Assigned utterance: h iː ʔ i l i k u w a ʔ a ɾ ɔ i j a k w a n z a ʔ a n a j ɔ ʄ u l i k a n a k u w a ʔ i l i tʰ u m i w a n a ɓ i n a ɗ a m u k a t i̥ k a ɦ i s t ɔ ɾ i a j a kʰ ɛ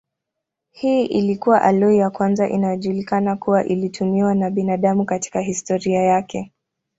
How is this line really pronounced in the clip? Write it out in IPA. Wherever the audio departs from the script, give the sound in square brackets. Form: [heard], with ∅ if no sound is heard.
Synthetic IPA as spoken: h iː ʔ i l i k u w a ʔ a [l] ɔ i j a k w a n z a ʔ [i] n a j ɔ ʄ u l i k a n a k u w a ʔ i l i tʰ u m i w a n a ɓ i n a ɗ a m u k a t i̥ k a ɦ i s t ɔ ɾ i a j a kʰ ɛ